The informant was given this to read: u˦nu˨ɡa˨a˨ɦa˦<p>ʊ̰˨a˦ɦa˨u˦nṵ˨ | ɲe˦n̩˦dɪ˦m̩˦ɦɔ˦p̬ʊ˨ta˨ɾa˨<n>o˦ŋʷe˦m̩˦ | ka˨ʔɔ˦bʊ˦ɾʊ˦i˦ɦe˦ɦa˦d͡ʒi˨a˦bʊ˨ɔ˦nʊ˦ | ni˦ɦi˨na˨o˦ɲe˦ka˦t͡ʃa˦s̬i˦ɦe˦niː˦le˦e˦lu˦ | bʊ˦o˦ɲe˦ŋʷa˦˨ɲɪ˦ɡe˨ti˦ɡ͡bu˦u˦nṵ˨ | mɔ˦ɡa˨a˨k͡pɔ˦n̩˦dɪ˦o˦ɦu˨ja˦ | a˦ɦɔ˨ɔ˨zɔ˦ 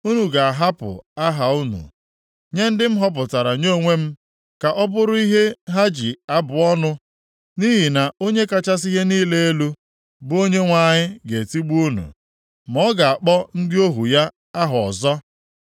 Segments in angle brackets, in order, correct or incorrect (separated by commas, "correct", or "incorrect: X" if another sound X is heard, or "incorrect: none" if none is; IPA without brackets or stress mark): correct, incorrect: ɲ